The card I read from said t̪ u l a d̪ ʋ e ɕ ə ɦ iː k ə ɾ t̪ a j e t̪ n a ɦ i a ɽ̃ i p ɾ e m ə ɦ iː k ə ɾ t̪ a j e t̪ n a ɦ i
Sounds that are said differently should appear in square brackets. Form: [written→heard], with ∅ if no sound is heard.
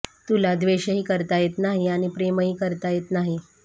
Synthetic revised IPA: t̪ u l a d̪ ʋ e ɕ ə ɦ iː k ə ɾ t̪ a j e t̪ n a ɦ i a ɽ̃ i p ɾ e m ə ɦ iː k ə ɾ t̪ a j e t̪ n a ɦ i